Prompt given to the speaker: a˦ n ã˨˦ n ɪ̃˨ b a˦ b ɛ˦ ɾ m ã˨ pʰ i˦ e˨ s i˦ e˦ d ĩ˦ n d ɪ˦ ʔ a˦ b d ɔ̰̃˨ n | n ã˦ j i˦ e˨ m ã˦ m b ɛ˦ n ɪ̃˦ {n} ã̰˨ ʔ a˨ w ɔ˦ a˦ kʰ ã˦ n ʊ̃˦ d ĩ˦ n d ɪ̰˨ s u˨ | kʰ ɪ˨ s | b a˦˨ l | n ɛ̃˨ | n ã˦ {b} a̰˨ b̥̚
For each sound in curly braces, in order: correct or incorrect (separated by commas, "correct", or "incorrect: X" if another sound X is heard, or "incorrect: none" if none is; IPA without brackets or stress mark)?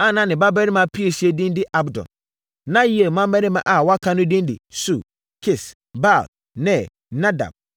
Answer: incorrect: m, incorrect: d